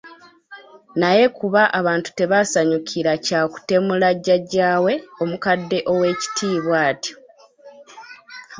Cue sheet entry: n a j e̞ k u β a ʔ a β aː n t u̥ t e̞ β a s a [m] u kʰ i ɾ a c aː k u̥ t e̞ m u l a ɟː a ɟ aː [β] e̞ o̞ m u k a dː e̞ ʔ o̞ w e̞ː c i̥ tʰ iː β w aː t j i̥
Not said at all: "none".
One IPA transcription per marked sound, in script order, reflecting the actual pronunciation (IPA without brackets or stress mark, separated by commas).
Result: ɲ, w